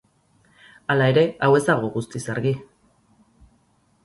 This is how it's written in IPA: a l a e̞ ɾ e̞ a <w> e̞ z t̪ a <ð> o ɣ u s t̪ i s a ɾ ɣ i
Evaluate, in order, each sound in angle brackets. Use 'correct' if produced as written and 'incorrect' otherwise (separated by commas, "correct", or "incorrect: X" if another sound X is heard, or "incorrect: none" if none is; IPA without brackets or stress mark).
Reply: correct, incorrect: ɣ